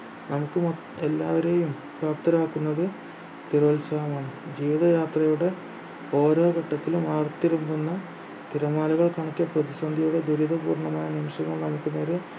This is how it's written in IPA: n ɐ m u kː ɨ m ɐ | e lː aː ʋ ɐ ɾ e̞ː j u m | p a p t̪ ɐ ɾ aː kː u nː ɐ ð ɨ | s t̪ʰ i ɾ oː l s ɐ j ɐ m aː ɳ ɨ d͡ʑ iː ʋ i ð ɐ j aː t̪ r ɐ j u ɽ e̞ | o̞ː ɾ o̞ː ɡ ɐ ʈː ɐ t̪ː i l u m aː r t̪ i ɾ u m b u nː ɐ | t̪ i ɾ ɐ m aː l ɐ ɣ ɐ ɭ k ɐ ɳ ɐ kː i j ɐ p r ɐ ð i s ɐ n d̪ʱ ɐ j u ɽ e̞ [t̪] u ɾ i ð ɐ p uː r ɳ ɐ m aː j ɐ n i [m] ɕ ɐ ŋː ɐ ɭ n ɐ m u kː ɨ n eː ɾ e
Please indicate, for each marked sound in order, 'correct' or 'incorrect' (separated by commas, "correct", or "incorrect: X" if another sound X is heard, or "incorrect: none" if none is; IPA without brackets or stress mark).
incorrect: d̪, correct